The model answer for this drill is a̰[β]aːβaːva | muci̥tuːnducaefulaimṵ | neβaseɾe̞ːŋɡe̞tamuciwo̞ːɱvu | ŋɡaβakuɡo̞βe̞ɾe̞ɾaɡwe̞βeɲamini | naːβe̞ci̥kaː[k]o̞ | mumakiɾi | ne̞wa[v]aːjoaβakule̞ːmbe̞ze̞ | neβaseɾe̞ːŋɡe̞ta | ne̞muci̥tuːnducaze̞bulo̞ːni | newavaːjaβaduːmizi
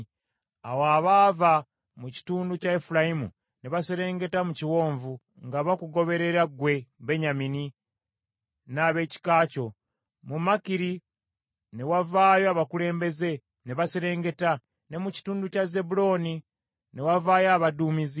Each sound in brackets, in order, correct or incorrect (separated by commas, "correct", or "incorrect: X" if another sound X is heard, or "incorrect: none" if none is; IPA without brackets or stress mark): incorrect: w, incorrect: c, correct